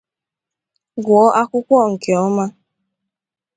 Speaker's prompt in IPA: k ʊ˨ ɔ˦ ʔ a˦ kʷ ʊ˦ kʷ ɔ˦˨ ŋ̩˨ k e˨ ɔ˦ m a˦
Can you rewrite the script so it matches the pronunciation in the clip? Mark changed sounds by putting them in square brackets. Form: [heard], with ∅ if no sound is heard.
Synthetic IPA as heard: [ɡ] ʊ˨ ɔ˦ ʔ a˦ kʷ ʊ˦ kʷ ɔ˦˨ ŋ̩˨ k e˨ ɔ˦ m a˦